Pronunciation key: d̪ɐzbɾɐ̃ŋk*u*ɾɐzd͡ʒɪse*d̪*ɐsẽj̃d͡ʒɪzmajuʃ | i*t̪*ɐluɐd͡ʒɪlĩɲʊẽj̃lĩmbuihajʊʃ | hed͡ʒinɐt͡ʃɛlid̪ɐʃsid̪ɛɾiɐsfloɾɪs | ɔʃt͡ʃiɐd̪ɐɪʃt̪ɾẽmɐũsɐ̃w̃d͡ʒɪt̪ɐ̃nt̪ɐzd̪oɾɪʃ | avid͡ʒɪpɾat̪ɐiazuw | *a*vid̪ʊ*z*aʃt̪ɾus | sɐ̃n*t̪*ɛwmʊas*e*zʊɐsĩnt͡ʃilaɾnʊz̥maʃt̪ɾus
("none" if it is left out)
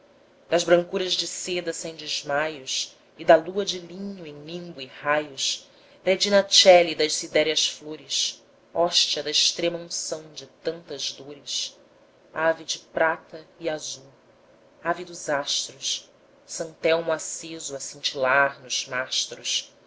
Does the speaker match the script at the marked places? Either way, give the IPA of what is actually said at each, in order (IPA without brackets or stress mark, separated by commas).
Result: u, d̪, d̪, a, z, t̪, e